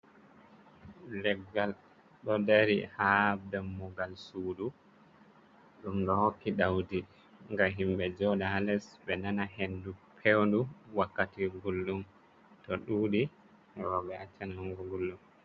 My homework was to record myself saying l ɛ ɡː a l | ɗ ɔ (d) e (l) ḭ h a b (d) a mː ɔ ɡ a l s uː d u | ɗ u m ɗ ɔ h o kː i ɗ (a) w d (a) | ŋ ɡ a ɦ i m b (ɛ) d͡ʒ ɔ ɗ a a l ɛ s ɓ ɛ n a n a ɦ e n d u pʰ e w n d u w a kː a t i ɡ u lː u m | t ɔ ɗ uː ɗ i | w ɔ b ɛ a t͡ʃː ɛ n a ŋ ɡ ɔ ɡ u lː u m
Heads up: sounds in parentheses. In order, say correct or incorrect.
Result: correct, incorrect: ɾ, correct, correct, incorrect: i, correct

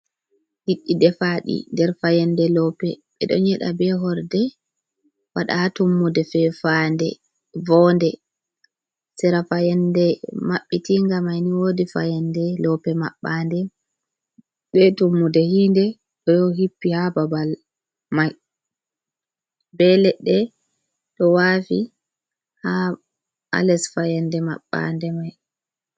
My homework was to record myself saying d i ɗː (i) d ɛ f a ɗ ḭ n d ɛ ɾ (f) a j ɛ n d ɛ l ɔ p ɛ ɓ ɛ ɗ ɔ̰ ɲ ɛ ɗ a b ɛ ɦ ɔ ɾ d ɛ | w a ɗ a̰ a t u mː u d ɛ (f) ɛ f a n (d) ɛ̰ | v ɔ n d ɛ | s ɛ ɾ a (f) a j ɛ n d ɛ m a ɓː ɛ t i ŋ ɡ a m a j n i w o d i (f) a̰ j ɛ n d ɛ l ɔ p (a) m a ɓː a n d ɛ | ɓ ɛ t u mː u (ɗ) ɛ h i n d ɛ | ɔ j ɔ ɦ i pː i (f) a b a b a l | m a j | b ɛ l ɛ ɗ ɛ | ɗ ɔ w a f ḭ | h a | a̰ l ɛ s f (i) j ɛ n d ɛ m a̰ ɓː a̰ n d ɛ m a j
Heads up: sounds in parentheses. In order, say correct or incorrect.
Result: correct, correct, correct, correct, correct, correct, incorrect: ɛ, incorrect: d, incorrect: h, incorrect: a

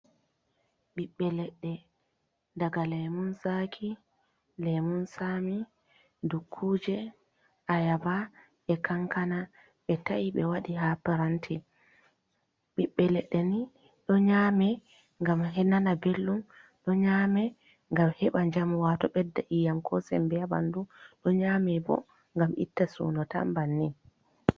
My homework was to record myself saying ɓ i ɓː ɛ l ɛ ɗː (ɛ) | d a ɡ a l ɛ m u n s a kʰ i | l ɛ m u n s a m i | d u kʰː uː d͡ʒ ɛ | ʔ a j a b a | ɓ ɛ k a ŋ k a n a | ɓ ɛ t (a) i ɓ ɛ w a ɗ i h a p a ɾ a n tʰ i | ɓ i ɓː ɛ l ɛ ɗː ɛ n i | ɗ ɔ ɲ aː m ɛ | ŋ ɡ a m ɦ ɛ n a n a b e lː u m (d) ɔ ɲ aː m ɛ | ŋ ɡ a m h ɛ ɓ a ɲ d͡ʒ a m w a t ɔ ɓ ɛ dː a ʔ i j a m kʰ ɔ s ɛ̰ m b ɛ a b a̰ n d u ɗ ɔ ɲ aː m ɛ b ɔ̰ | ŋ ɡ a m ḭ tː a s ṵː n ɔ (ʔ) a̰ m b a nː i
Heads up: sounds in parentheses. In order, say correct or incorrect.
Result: correct, correct, incorrect: ɗ, incorrect: t

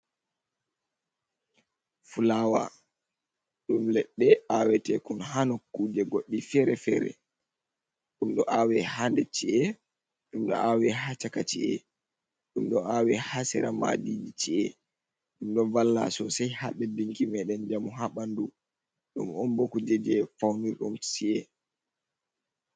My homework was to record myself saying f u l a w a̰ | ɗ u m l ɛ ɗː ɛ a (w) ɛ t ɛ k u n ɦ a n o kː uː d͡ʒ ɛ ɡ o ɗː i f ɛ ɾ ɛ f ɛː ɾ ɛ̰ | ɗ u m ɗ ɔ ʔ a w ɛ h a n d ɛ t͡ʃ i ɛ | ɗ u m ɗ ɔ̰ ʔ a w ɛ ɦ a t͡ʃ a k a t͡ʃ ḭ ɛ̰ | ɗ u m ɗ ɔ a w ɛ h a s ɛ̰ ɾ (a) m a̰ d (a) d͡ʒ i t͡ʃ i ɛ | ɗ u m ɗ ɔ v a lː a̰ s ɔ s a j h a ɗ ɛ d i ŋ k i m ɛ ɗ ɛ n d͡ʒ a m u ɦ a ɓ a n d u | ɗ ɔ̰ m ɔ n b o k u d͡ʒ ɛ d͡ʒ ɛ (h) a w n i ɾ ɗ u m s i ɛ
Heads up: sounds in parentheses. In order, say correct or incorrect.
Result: correct, correct, incorrect: i, incorrect: f

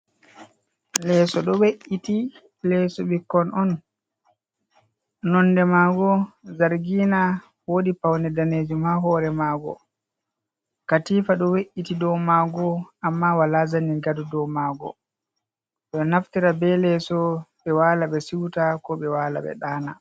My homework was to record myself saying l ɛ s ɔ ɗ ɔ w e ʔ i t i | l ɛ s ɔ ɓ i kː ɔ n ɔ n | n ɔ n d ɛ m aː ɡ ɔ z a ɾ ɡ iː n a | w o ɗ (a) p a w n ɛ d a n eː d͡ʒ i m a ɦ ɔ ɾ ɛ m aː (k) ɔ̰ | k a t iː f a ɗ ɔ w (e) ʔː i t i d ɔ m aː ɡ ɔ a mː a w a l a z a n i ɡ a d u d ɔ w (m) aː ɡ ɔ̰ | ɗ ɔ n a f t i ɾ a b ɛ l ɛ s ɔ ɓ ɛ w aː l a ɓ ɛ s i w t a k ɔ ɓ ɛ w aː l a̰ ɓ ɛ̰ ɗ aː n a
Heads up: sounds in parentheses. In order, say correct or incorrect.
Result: incorrect: i, incorrect: ɡ, correct, correct

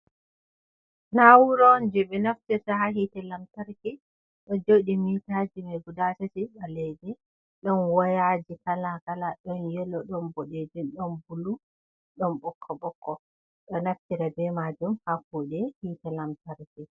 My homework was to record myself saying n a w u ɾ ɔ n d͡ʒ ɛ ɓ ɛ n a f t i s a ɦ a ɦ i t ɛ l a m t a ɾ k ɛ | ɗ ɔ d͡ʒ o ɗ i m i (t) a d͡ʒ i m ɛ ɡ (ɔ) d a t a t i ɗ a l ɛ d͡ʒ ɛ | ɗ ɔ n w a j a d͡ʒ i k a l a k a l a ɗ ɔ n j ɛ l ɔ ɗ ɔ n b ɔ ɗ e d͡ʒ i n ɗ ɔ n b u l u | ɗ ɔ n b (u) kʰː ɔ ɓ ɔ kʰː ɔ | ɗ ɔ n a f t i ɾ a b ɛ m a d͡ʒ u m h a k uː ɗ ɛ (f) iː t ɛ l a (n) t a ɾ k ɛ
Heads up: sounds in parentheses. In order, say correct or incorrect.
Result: correct, incorrect: u, incorrect: ɔ, incorrect: h, incorrect: m

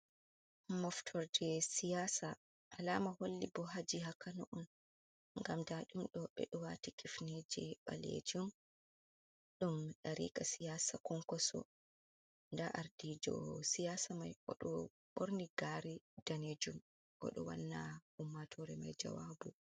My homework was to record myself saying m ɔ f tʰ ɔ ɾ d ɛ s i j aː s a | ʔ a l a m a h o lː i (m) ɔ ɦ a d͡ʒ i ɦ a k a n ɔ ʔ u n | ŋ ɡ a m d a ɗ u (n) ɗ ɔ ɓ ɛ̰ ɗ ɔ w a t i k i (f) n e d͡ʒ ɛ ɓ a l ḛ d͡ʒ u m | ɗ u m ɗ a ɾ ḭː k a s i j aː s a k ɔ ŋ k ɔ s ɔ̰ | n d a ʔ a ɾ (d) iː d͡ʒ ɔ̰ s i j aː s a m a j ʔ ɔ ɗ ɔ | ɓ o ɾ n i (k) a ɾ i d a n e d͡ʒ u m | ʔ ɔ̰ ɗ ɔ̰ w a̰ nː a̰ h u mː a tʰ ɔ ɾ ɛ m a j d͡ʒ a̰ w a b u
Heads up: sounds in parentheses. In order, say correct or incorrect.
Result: incorrect: b, incorrect: m, correct, correct, incorrect: ɡ

